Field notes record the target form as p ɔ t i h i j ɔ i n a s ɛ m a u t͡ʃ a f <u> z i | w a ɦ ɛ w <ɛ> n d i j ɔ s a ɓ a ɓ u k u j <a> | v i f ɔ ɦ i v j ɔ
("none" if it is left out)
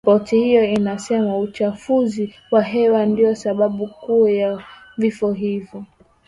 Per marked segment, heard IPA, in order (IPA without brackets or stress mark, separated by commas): u, a, a